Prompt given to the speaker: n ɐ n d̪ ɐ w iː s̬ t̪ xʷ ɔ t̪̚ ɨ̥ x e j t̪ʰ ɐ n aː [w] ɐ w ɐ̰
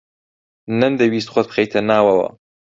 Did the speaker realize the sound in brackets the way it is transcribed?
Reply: yes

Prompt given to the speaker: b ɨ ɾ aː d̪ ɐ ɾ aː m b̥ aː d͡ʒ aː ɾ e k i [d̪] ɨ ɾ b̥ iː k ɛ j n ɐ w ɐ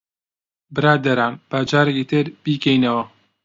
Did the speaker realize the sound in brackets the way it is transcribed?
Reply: no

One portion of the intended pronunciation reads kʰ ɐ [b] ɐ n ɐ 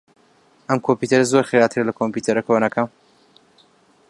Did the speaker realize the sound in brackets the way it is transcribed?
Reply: no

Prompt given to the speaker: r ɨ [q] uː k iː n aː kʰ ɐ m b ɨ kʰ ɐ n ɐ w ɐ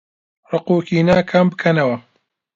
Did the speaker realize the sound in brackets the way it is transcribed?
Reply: yes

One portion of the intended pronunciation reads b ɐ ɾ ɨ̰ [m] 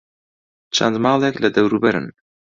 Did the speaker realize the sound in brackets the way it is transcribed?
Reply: no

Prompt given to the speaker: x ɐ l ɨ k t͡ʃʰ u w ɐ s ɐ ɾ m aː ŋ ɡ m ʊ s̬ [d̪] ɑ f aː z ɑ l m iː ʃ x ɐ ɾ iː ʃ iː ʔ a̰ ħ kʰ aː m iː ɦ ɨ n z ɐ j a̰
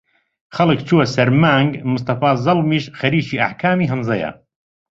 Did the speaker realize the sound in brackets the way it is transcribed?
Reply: no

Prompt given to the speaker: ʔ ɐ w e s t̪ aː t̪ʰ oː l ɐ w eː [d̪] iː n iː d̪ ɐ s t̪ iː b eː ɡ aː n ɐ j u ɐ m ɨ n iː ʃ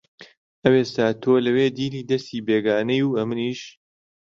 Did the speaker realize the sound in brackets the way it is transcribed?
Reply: yes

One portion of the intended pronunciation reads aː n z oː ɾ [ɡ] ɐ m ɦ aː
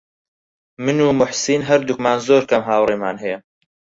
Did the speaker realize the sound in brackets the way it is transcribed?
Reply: no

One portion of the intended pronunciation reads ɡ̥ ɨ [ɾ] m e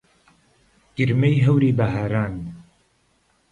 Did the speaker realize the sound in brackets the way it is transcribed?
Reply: yes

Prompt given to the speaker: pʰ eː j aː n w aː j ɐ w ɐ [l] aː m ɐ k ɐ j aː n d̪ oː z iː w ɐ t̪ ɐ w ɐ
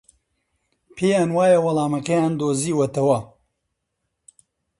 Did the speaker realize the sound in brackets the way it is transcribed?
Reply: yes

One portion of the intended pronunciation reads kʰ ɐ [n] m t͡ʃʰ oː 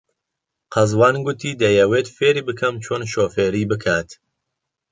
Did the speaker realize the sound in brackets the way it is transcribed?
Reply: no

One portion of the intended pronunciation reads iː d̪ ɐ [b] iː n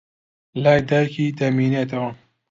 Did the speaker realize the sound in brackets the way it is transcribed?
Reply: no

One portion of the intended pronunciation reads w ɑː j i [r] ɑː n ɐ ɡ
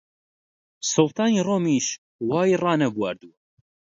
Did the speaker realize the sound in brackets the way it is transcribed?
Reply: yes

